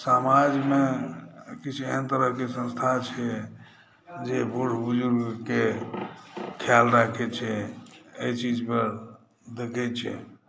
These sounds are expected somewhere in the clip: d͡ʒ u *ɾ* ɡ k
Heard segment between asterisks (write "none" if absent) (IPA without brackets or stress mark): ɾ